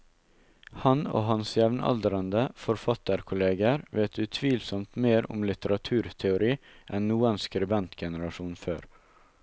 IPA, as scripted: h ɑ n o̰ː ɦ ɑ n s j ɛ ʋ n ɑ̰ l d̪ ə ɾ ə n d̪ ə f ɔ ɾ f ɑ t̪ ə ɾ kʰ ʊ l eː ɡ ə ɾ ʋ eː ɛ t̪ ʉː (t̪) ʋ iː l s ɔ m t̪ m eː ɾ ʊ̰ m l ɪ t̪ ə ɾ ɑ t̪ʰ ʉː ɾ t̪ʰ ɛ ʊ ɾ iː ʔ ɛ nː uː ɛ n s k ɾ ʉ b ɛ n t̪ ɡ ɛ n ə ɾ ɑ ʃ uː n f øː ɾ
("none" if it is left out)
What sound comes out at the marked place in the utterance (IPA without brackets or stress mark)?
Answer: t̪ʰ